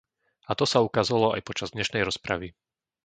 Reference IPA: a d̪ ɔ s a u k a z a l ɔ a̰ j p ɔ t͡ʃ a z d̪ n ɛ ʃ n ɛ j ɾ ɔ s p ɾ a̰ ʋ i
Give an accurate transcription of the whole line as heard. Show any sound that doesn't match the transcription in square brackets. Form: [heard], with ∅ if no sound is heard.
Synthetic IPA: a [t̪] ɔ s a u k a z a l ɔ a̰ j p ɔ t͡ʃ a z d̪ [ɲ] ɛ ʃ n ɛ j ɾ ɔ s p ɾ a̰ ʋ i